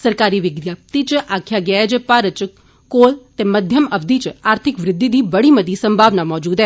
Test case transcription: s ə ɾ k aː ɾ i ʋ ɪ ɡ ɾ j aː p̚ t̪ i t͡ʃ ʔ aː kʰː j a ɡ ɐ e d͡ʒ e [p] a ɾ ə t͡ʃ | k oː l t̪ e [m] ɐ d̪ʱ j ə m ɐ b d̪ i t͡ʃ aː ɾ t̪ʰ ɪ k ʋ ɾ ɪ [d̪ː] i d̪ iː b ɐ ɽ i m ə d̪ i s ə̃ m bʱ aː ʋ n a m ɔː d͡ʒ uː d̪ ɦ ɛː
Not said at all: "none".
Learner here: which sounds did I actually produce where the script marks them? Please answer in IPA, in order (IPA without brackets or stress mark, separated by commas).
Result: p, m, d̪ː